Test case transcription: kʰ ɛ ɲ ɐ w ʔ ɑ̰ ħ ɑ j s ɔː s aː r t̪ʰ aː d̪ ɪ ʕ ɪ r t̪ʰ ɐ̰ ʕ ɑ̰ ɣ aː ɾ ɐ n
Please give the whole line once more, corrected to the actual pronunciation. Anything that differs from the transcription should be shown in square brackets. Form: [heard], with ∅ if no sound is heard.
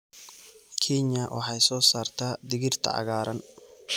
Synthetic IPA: kʰ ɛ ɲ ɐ w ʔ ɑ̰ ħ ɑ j s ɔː s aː r t̪ʰ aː d̪ ɪ [ɣ] ɪ r t̪ʰ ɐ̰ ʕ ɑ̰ ɣ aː ɾ ɐ n

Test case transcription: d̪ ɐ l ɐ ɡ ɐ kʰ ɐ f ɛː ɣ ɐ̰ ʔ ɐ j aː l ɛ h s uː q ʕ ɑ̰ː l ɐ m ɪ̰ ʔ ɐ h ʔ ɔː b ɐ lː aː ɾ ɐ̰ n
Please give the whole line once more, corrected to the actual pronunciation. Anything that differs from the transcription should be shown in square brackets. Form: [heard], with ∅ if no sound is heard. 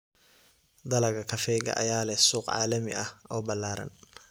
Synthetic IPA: d̪ ɐ l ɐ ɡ ɐ kʰ ɐ f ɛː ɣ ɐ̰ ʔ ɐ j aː l ɛ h s uː q ʕ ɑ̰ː l ɐ m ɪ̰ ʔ ɐ h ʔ ɔː b ɐ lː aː ɾ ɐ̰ n

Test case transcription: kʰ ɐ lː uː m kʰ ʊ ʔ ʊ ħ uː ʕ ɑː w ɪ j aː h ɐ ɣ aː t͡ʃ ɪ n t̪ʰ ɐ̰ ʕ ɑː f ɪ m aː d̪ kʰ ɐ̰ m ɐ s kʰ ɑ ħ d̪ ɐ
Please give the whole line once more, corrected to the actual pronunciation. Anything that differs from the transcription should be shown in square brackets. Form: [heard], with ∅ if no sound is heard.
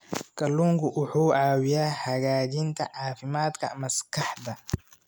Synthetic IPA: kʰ ɐ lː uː [ŋ] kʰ ʊ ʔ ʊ ħ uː ʕ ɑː w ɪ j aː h ɐ ɣ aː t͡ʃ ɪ n t̪ʰ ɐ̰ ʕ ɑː f ɪ m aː d̪ kʰ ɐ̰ m ɐ s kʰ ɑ ħ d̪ ɐ

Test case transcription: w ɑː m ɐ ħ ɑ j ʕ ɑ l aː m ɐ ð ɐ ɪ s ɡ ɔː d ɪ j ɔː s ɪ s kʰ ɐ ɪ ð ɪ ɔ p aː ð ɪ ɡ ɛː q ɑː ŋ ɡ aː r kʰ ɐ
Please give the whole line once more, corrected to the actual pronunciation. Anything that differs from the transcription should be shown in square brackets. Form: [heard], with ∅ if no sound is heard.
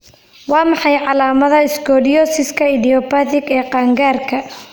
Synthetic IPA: w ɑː m [ɑ] ħ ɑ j ʕ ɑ l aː m ɐ ð ɐ ɪ s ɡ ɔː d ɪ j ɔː s ɪ s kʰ ɐ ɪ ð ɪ ɔ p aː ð ɪ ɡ ɛː q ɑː ŋ ɡ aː r kʰ ɐ

